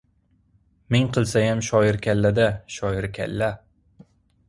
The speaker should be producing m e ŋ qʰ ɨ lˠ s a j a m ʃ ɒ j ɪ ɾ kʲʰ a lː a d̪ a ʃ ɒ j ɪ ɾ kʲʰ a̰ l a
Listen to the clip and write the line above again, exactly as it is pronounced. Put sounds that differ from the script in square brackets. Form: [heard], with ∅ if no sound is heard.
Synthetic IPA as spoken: m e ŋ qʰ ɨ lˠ s a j a m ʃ ɒ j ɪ ɾ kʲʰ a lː a d̪ a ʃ ɒ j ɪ ɾ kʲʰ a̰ [lː] a

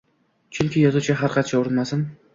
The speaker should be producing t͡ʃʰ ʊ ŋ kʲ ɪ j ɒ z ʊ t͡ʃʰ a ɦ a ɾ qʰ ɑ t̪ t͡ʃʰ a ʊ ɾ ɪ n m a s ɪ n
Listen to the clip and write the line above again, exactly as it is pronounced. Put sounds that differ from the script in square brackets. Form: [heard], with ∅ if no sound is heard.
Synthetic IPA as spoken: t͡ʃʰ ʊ ŋ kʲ ɪ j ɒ z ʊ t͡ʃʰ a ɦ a ɾ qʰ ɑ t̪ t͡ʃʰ a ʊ ɾ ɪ n m a s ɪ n

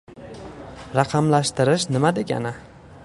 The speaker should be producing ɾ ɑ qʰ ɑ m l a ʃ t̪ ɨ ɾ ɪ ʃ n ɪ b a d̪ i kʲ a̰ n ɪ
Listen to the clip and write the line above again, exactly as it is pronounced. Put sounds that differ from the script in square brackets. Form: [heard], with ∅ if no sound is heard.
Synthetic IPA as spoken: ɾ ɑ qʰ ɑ m l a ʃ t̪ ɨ ɾ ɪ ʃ n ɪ [m] a d̪ [e] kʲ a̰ n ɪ

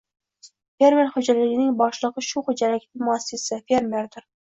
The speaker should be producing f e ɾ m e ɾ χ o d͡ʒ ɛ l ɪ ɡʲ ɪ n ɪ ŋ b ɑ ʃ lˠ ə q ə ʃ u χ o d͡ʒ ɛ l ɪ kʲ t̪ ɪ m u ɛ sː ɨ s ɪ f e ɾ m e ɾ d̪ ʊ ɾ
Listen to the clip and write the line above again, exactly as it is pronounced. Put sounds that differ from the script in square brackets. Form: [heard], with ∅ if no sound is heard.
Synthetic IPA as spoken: f e ɾ m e ɾ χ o d͡ʒ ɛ l ɪ ɡʲ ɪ n ɪ ŋ b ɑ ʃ lˠ ə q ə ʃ u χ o d͡ʒ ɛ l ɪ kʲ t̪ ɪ m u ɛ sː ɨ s ɪ f e ɾ m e ɾ d̪ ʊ ɾ

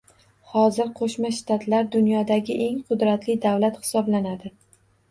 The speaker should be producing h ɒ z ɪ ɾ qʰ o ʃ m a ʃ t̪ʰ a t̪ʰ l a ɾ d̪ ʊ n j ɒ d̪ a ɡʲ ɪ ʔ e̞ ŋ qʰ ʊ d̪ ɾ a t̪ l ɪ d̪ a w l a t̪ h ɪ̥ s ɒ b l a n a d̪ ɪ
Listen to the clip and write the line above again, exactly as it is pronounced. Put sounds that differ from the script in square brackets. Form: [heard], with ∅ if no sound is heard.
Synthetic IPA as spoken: h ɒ z ɪ ɾ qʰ o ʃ m a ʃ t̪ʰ a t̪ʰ l a ɾ d̪ ʊ n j ɒ d̪ a ɡʲ ɪ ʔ e̞ ŋ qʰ ʊ d̪ ɾ a t̪ l ɪ d̪ a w l a t̪ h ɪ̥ s ɒ b l a n a d̪ ɪ

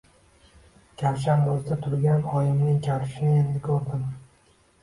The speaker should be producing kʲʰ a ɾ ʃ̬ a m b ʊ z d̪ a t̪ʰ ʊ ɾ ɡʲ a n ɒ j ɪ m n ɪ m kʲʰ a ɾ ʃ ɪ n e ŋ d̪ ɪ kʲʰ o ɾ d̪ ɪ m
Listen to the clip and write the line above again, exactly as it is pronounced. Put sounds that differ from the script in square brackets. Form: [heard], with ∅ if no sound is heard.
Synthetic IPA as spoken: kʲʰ a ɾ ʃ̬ a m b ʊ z d̪ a t̪ʰ ʊ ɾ ɡʲ a n ɒ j ɪ m n ɪ [ŋ] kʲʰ a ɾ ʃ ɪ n e [n] d̪ ɪ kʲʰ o ɾ d̪ ɪ m

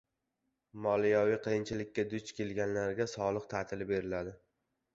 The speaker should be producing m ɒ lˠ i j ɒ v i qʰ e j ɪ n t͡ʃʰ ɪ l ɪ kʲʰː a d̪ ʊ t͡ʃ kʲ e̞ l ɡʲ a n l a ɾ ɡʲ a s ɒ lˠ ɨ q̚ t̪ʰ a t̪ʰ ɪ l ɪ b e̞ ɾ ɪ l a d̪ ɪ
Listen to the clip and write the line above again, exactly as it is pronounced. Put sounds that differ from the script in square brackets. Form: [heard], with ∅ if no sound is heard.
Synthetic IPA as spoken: m ɒ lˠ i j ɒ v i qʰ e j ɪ n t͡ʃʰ ɪ l ɪ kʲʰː a d̪ ʊ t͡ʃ kʲ e̞ l ɡʲ a n l a ɾ ɡʲ a s ɒ lˠ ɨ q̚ t̪ʰ a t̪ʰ ɪ l ɪ b e̞ ɾ ɪ l a d̪ ɪ

